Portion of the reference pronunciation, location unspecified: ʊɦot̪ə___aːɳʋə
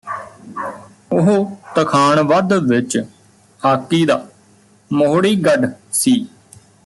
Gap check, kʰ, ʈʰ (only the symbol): kʰ